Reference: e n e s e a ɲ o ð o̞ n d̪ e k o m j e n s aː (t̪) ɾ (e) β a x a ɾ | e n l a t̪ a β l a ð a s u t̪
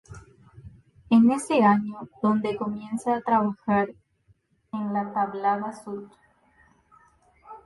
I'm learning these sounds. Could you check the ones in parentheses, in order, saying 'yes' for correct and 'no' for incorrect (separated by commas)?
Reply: yes, no